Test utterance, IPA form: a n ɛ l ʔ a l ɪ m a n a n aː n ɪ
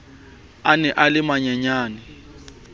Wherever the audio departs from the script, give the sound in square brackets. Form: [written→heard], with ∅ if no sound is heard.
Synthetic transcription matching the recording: a n ɛ [l→∅] ʔ a l ɪ m a [n→ɲ] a [n→ɲ] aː n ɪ